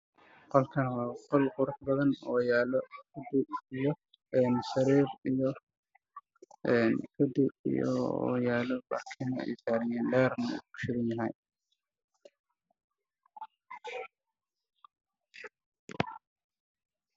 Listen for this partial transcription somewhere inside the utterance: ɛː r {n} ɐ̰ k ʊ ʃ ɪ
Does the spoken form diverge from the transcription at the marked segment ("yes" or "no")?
no